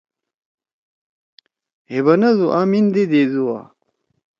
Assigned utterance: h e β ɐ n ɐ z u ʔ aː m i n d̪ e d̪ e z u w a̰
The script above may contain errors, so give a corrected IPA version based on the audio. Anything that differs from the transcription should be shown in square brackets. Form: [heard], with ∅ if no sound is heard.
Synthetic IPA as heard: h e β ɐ n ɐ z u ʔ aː m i n d̪ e d̪ e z u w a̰